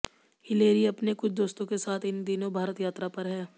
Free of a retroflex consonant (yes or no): yes